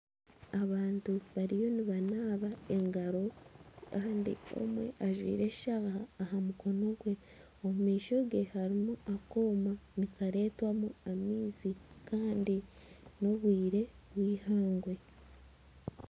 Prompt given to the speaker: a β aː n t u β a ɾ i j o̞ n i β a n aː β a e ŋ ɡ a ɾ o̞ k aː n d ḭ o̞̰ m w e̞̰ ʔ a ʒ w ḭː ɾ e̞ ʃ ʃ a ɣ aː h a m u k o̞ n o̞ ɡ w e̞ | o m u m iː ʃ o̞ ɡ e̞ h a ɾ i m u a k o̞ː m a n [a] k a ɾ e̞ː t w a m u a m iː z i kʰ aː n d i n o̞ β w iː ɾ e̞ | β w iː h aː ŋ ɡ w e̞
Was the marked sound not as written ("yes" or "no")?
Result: yes